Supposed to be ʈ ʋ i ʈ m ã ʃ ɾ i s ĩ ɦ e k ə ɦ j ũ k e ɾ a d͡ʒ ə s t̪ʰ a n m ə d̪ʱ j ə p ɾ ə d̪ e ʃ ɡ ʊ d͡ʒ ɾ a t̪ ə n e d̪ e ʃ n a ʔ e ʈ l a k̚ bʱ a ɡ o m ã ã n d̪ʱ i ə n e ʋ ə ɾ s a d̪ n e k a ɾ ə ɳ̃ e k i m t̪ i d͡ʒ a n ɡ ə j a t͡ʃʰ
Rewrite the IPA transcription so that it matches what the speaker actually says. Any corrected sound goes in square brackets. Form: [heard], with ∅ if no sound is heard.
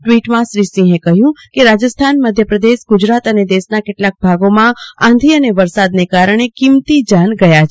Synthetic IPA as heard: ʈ ʋ i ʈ m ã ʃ ɾ i s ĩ ɦ e k ə ɦ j ũ k e ɾ a d͡ʒ ə s t̪ʰ a n m ə d̪ʱ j ə p ɾ ə d̪ e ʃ ɡ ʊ d͡ʒ ɾ a t̪ ə n e d̪ e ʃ n a [k] e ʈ l a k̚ bʱ a ɡ o m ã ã n d̪ʱ i ə n e ʋ ə ɾ s a d̪ n e k a ɾ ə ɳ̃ e k i m t̪ i d͡ʒ a n ɡ ə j a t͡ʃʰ